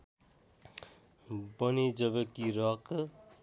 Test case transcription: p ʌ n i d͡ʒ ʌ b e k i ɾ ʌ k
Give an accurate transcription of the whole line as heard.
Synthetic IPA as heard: b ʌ n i d͡ʒ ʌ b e k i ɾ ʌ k